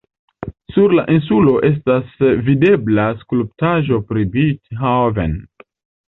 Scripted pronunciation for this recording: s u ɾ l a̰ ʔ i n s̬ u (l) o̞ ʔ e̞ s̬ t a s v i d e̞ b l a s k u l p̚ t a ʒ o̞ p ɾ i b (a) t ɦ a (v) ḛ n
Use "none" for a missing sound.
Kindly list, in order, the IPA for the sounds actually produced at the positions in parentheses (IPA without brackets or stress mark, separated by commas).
l, i, v